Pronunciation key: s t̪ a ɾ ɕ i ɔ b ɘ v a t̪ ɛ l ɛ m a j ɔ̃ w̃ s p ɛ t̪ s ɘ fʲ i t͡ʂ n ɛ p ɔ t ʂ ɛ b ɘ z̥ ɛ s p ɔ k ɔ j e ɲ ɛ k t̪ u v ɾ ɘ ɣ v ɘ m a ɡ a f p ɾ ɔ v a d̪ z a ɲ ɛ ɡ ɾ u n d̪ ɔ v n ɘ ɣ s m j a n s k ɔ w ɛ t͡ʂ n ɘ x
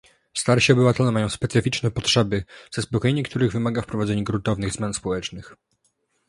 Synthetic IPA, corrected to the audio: s t̪ a ɾ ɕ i ɔ b ɘ v a t̪ ɛ l ɛ m a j ɔ̃ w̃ s p ɛ t̪ s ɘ fʲ i t͡ʂ n ɛ p ɔ t ʂ ɛ b ɘ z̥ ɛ s p ɔ k ɔ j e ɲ ɛ k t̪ u ɾ ɘ ɣ v ɘ m a ɡ a f p ɾ ɔ v a d̪ z ɛ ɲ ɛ ɡ ɾ u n t̪ ɔ v n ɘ ɣ z m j a n s p ɔ w ɛ t͡ʂ n ɘ x